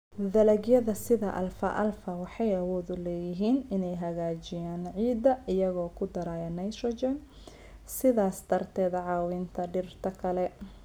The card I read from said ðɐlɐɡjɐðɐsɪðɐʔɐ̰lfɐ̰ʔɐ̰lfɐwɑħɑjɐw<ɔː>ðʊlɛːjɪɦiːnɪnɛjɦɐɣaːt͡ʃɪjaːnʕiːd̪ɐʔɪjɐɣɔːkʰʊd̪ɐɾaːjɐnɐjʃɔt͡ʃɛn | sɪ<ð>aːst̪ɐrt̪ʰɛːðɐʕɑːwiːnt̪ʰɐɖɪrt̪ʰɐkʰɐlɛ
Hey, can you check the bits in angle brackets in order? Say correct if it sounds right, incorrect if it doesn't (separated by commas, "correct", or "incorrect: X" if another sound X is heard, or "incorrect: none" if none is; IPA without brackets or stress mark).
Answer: correct, correct